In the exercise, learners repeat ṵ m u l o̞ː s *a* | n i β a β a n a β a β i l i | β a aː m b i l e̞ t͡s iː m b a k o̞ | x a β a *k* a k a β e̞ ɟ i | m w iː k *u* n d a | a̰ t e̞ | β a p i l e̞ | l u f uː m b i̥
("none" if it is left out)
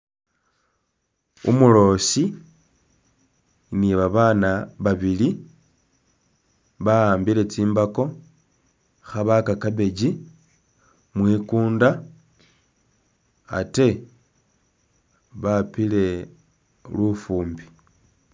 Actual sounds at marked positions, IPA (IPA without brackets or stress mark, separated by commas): i, k, uː